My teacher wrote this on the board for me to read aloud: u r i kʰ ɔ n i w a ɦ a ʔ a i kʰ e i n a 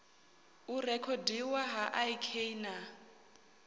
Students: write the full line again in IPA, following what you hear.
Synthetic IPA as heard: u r ɛ kʰ ɔ d i w a ɦ a ʔ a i kʰ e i n a